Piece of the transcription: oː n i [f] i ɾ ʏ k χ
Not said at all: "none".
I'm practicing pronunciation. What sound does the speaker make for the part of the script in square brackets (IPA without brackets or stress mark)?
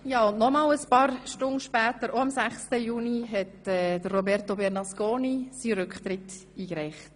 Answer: s